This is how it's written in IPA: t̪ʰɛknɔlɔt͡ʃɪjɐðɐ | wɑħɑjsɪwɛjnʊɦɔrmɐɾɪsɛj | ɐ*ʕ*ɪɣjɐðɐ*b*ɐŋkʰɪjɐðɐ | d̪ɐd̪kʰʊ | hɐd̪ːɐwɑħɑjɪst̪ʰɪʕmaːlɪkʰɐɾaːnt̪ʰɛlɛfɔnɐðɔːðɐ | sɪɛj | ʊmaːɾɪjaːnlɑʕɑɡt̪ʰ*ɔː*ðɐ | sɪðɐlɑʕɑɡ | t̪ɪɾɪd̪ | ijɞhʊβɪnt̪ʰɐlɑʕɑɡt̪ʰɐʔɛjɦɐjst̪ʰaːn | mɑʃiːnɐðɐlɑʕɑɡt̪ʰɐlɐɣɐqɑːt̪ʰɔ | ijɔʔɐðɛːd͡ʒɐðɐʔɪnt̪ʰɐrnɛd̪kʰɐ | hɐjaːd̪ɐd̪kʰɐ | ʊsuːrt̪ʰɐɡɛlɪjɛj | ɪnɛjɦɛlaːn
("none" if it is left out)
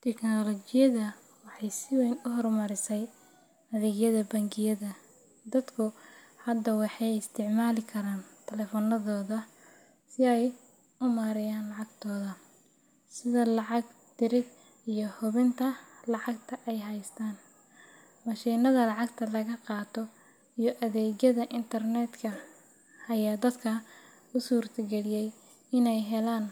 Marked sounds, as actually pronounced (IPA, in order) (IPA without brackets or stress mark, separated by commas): ð, b, ɔː